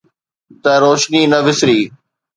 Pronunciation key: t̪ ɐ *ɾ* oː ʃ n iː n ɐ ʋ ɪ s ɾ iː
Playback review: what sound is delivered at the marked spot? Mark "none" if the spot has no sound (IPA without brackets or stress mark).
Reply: ɾ